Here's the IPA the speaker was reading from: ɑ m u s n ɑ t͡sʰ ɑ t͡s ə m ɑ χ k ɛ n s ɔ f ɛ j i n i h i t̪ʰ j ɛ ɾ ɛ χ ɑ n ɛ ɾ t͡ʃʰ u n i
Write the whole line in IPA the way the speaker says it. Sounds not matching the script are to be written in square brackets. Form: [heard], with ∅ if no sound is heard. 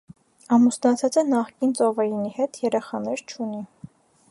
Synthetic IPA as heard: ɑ m u s n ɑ t͡sʰ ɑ t͡s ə [n] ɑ χ k [i] n [t͡s] ɔ [v] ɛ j i n i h [ɛ] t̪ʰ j ɛ ɾ ɛ χ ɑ n ɛ ɾ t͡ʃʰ u n i